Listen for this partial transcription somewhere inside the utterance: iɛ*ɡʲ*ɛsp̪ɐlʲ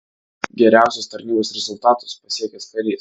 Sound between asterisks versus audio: incorrect: kʲ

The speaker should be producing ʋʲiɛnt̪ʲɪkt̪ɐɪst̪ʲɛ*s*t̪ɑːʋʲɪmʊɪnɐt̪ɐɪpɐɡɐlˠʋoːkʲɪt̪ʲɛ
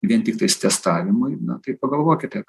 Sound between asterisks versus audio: correct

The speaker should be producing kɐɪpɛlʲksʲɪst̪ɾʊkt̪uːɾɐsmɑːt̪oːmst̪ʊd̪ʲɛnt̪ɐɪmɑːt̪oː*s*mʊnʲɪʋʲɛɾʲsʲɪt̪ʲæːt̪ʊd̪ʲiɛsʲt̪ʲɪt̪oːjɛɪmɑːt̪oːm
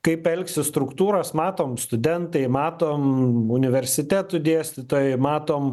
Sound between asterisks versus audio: incorrect: none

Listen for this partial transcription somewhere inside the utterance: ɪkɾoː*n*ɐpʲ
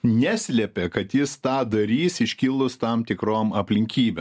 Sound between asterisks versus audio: incorrect: m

